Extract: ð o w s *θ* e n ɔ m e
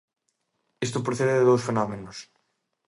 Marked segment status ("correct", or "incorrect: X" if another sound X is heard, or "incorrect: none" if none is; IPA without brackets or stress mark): incorrect: f